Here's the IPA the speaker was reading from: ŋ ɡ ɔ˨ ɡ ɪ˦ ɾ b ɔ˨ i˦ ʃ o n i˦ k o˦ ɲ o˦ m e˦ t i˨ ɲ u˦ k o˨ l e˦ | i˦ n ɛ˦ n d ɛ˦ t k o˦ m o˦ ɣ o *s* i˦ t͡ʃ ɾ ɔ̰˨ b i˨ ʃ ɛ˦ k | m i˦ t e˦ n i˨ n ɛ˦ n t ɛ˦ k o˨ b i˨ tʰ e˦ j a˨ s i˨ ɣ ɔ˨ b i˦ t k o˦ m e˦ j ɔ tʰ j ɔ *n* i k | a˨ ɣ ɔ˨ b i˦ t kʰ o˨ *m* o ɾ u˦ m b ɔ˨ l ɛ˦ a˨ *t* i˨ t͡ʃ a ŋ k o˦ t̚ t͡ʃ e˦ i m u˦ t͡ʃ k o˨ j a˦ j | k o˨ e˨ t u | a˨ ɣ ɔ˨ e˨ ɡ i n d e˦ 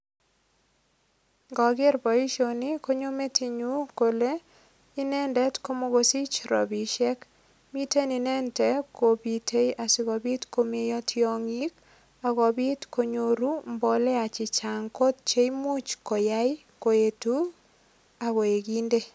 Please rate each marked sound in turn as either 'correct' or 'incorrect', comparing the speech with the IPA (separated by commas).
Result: correct, incorrect, incorrect, incorrect